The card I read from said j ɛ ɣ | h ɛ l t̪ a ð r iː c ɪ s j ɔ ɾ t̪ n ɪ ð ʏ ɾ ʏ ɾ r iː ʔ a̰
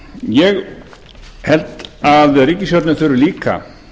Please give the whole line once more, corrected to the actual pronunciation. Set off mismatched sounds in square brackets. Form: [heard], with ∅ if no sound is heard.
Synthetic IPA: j ɛ ɣ | h ɛ l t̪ a ð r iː c ɪ s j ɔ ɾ t̪ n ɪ [θ] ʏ ɾ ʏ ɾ [l] iː [k] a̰